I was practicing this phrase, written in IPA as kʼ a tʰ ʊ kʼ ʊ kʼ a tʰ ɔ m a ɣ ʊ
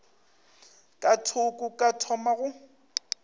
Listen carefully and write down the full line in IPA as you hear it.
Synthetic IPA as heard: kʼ a tʰ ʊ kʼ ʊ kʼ a tʰ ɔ m a ɣ ʊ